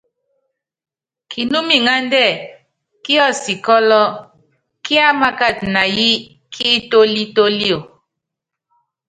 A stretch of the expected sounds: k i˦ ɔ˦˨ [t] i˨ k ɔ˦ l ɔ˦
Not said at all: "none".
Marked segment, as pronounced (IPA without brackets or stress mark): s